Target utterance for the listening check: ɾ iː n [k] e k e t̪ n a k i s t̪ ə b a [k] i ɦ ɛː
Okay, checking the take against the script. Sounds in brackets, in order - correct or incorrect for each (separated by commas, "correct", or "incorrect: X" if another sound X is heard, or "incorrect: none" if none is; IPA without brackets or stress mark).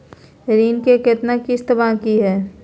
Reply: correct, correct